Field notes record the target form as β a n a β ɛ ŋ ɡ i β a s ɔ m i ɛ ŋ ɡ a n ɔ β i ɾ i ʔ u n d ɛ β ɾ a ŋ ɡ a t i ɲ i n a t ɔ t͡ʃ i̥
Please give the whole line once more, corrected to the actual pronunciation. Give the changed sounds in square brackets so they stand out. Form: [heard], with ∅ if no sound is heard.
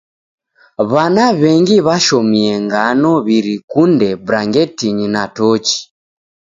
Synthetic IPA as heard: β a n a β ɛ ŋ ɡ i β a [ʃ] ɔ m i ɛ ŋ ɡ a n ɔ β i ɾ i [k] u n d ɛ [b] ɾ a ŋ ɡ [ɛ] t i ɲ i n a t ɔ t͡ʃ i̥